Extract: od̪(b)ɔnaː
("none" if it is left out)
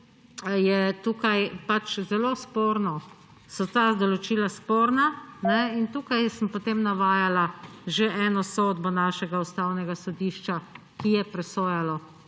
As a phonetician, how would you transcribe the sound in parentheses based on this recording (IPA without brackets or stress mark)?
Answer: b